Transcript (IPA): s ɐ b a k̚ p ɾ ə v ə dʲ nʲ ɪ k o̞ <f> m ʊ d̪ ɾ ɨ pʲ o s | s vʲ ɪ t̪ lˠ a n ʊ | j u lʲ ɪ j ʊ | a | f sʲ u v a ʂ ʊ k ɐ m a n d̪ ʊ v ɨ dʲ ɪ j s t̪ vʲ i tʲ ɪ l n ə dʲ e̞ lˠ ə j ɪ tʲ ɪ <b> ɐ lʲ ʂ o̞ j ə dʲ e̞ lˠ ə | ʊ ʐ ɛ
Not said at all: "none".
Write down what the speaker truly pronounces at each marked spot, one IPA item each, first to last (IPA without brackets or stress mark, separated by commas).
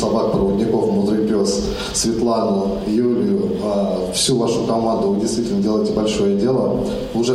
f, b